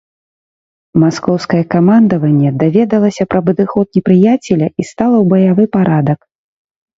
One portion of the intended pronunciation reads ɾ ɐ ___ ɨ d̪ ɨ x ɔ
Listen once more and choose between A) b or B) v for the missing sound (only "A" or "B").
A